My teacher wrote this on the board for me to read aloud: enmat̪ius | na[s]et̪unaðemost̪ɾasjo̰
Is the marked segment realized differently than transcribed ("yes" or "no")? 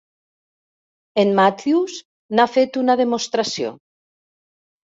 yes